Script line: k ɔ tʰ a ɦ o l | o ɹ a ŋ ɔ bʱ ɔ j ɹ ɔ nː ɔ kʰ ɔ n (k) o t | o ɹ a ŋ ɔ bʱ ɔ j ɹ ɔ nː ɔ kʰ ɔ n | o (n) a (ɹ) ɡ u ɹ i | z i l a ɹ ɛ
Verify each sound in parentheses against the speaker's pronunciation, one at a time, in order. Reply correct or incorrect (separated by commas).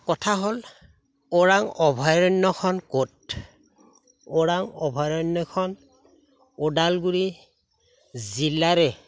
correct, incorrect, incorrect